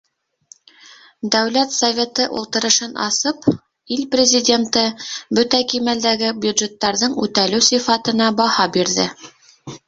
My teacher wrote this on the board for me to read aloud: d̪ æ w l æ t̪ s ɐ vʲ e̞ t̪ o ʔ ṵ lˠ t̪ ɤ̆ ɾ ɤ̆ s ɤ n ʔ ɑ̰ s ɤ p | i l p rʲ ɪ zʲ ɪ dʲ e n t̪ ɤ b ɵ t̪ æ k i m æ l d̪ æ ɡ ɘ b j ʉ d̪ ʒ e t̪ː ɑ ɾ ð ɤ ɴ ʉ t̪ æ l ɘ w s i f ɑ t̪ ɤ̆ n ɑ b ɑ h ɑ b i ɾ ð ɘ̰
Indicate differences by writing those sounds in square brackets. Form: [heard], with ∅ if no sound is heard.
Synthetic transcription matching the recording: d̪ æ w l æ t̪ s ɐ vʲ e̞ t̪ [ɤ] ʔ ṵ lˠ t̪ ɤ̆ ɾ ɤ̆ [ʃ] ɤ n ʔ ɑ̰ s ɤ p | i l p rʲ ɪ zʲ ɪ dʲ e n t̪ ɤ b ɵ t̪ æ k i m æ l d̪ æ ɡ ɘ b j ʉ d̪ ʒ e t̪ː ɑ ɾ ð ɤ ɴ ʉ t̪ æ l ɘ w s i f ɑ t̪ ɤ̆ n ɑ b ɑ h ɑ b i ɾ ð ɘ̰